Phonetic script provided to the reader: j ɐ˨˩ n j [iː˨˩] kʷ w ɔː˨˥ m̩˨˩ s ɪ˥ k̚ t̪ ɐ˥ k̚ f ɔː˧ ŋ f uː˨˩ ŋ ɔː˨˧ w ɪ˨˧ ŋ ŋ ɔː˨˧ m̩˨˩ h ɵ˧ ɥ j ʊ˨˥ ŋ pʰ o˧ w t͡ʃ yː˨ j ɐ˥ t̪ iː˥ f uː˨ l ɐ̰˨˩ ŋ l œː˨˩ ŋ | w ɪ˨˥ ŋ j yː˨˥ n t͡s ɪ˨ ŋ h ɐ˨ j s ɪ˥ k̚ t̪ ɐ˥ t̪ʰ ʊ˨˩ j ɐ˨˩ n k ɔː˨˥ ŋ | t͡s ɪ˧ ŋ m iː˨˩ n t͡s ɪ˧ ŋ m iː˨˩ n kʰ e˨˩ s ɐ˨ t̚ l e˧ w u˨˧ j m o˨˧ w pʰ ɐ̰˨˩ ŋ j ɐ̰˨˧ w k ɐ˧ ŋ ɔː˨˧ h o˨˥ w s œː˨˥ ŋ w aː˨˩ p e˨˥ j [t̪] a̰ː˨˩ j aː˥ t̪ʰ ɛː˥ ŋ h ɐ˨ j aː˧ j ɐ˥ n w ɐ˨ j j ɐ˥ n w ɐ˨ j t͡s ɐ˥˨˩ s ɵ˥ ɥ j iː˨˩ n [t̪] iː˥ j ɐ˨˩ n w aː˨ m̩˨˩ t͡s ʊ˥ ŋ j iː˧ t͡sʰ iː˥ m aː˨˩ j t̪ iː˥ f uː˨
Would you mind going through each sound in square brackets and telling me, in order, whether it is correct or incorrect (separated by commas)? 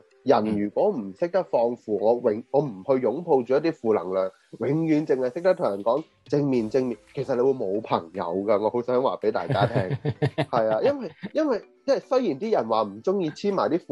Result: incorrect, correct, correct